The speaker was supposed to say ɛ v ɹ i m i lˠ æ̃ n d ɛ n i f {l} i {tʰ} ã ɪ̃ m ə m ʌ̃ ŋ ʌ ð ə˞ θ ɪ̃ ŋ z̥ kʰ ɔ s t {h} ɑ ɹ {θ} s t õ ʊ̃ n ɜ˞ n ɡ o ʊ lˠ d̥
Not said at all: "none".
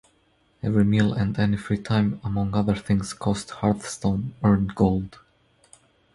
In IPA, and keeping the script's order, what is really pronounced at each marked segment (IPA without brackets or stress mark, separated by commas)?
ɹ, tʰ, h, θ